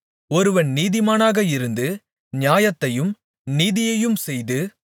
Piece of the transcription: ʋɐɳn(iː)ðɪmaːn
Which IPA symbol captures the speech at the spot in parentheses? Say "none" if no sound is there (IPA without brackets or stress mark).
iː